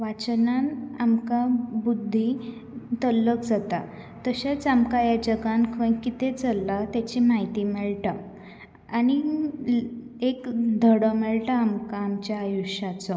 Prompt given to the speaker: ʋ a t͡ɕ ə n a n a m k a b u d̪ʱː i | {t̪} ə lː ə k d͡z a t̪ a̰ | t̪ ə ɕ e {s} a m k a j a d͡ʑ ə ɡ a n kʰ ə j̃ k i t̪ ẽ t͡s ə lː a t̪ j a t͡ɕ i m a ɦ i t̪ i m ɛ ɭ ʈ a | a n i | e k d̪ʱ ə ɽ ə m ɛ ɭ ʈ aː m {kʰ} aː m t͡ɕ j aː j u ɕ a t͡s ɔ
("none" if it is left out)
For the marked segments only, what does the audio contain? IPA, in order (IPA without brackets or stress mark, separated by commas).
t̪, t͡s, k